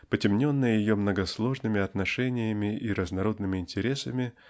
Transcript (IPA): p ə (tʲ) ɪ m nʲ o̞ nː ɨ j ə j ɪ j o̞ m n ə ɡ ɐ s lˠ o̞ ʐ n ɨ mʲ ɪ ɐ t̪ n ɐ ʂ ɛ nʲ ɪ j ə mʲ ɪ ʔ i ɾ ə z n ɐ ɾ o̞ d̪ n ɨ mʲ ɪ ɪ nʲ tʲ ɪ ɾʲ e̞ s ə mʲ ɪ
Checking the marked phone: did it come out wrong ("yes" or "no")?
no